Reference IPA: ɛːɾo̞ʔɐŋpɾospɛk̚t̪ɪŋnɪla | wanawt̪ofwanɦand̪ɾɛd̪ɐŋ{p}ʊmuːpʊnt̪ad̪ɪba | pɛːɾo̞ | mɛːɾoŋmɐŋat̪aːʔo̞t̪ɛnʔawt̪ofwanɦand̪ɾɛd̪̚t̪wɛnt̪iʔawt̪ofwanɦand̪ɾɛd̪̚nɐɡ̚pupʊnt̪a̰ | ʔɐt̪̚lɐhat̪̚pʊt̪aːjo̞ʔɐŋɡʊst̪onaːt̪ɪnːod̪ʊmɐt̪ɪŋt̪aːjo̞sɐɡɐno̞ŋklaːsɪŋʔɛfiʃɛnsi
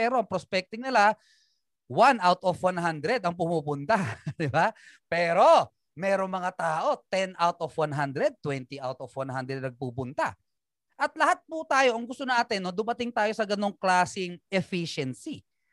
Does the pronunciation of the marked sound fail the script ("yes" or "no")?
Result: no